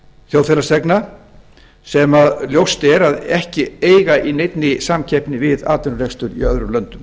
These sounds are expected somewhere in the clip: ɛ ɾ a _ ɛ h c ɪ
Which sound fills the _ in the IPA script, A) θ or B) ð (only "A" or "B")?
B